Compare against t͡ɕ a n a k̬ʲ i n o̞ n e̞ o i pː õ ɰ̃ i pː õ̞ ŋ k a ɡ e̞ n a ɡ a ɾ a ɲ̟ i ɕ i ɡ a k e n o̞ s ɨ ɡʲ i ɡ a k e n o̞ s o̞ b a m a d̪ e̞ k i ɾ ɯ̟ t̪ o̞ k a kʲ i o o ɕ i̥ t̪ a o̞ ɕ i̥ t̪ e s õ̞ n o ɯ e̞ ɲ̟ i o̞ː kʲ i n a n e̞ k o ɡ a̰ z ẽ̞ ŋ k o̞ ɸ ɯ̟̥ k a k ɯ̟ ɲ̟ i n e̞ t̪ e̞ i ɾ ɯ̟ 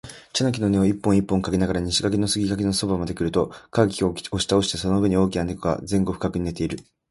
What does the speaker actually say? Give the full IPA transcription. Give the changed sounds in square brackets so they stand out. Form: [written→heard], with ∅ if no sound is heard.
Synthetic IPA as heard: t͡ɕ a n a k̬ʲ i n o̞ n e̞ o i pː õ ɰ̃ i pː õ̞ ŋ k a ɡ e̞ n a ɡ a ɾ a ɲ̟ i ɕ i ɡ a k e n o̞ s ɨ ɡʲ i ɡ a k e n o̞ s o̞ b a m a d̪ e̞ k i ɾ ɯ̟ t̪ o̞ k a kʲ i o o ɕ i̥ t̪ a o̞ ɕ i̥ t̪ e s [õ̞→o̞] n o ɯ e̞ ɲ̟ i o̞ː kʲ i n a n e̞ k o ɡ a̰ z ẽ̞ ŋ [k→ɡ] o̞ ɸ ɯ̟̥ k a k ɯ̟ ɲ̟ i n e̞ t̪ e̞ i ɾ ɯ̟

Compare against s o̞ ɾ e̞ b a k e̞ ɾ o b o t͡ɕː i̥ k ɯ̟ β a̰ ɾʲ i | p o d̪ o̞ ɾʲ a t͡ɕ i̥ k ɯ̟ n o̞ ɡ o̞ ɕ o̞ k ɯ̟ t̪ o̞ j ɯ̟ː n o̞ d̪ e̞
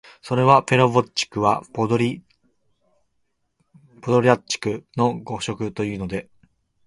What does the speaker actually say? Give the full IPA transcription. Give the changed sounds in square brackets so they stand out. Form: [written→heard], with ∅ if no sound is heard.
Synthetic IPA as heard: s o̞ ɾ e̞ [b→β] a [k→p] e̞ ɾ o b o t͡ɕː i̥ k ɯ̟ β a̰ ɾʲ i | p o d̪ o̞ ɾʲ a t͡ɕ i̥ k ɯ̟ n o̞ ɡ o̞ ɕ o̞ k ɯ̟ t̪ o̞ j ɯ̟ː n o̞ d̪ e̞

